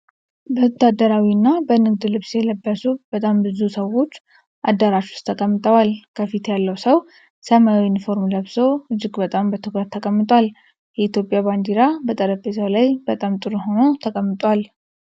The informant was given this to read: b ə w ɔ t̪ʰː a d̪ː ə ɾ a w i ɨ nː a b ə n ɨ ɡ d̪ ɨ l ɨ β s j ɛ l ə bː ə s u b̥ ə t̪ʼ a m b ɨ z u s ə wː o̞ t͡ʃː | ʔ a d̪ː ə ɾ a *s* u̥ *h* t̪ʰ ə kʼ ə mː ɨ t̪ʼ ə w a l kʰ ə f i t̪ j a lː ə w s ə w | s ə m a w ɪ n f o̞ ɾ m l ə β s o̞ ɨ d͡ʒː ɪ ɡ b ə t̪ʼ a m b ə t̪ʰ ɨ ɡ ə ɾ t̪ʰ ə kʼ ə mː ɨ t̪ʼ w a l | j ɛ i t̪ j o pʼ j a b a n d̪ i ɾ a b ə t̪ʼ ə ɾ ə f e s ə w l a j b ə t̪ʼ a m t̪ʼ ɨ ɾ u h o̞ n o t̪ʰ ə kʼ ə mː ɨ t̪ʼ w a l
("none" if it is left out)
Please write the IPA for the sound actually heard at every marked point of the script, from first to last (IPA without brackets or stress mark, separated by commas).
ʃ, s